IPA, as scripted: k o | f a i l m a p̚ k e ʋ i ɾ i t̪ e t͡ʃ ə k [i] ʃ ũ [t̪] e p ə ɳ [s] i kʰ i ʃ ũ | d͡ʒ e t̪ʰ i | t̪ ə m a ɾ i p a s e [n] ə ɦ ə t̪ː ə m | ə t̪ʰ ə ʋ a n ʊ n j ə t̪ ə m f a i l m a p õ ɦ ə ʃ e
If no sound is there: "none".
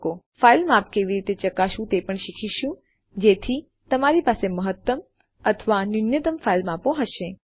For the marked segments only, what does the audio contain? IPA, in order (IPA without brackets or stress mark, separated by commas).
a, t̪, ʃ, m